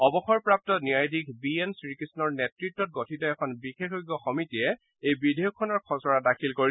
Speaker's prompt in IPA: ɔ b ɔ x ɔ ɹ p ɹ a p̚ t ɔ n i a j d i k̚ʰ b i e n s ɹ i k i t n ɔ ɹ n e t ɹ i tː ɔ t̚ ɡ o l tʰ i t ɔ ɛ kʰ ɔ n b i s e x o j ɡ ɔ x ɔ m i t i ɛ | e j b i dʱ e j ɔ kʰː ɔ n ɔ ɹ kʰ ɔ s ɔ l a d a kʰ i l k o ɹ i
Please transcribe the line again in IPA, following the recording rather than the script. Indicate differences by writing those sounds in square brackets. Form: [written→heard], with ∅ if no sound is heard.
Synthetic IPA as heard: ɔ b ɔ x ɔ ɹ p ɹ a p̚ t ɔ n i a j d i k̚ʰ b i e n s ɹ i k i [t→s] n ɔ ɹ n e t ɹ i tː ɔ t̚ ɡ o [l→∅] tʰ i t ɔ ɛ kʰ ɔ n b i [s→x] e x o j ɡ ɔ x ɔ m i t i ɛ | e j b i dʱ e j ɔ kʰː ɔ n ɔ ɹ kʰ ɔ s ɔ [l→ɹ] a d a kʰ i l k o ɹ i

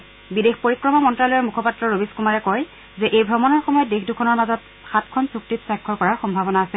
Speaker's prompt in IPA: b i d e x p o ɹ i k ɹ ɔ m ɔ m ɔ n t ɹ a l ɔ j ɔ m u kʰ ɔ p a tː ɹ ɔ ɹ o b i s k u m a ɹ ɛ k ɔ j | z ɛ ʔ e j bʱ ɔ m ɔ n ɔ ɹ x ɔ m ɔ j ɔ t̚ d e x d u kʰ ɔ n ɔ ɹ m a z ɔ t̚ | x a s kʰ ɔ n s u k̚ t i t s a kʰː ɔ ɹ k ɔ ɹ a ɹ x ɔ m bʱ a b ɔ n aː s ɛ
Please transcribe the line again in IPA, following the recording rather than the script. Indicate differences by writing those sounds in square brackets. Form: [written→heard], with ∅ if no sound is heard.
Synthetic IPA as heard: b i d e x p o ɹ i k ɹ ɔ m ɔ m ɔ n t ɹ a l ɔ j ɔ m u kʰ ɔ p a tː ɹ ɔ ɹ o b i s k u m a ɹ ɛ k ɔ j | z ɛ ʔ e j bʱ ɔ m ɔ n ɔ ɹ x ɔ m ɔ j ɔ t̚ d e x d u kʰ ɔ n ɔ ɹ m a z ɔ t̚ | x a [s→t] kʰ ɔ n s u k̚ t i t s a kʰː ɔ ɹ k ɔ ɹ a ɹ x ɔ m bʱ a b ɔ n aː s ɛ

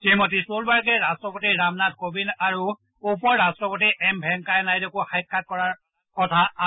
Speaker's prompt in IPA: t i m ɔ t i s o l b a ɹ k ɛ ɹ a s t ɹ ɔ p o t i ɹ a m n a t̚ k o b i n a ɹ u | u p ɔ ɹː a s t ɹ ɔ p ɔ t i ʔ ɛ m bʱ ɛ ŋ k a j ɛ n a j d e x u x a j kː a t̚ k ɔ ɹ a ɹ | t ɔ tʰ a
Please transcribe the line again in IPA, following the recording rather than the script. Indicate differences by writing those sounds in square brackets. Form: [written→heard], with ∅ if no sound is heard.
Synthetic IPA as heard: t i m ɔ t i s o l b a ɹ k ɛ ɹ a s t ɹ ɔ p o t i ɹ a m n a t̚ k o b i n a ɹ u | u p ɔ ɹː a s t ɹ ɔ p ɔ t i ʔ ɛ m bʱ ɛ ŋ k a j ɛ n a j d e [x→k] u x a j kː a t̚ k ɔ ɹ a ɹ | [t→k] ɔ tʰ a

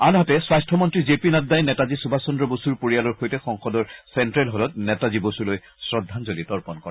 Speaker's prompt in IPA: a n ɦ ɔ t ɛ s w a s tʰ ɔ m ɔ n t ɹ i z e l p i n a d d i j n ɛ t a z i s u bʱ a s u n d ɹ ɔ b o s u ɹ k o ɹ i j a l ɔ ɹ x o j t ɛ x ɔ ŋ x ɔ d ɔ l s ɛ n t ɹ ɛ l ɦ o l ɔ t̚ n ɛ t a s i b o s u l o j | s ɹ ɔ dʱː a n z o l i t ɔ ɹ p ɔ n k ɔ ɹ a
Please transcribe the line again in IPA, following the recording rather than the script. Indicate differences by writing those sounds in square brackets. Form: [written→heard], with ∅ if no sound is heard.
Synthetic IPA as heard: a n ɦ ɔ t ɛ s w a s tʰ ɔ m ɔ n t ɹ i z e [l→∅] p i n a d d [i→a] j n ɛ t a z i s u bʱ a s [u→ɔ] n d ɹ ɔ b o s u ɹ [k→p] o ɹ i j a l ɔ ɹ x o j t ɛ x ɔ ŋ x ɔ d ɔ [l→ɹ] s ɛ n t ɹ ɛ l ɦ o l ɔ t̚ n ɛ t a [s→z] i b o s u l o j | s ɹ ɔ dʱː a n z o l i t ɔ ɹ p ɔ n k ɔ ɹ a

